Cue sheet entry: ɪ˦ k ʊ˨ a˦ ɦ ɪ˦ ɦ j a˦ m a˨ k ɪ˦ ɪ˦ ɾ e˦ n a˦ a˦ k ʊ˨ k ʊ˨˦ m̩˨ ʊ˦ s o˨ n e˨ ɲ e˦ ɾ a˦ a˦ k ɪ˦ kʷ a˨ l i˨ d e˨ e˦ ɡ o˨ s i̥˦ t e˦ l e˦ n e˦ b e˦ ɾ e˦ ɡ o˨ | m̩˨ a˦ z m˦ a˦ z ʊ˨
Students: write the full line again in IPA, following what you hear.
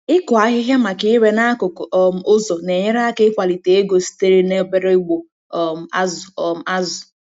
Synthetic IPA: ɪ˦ k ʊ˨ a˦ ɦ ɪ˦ ɦ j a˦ m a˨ k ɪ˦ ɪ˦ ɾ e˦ n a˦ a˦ k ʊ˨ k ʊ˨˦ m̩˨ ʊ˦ z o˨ n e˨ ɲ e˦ ɾ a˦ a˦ k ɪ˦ kʷ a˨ l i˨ t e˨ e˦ ɡ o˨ s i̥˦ t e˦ ɾ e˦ n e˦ b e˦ ɾ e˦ ɡ͡b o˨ | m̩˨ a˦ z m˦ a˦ z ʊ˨